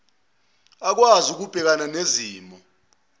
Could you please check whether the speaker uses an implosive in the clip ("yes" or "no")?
no